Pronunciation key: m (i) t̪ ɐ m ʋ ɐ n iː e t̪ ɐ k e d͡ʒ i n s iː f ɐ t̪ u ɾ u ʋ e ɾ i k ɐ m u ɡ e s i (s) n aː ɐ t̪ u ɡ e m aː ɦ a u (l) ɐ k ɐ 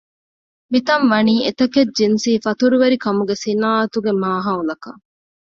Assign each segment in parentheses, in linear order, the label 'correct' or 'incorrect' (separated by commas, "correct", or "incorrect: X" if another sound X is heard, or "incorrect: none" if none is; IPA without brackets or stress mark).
correct, incorrect: none, correct